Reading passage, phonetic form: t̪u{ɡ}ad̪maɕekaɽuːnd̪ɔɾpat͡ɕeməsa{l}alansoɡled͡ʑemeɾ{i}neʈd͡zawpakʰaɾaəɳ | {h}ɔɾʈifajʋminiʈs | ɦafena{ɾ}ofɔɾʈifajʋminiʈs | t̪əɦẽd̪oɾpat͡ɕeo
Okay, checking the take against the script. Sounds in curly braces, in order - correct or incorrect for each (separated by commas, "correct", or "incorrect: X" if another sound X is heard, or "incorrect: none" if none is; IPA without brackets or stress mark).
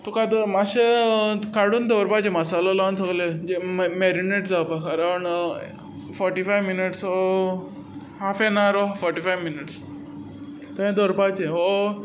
incorrect: k, correct, correct, incorrect: f, correct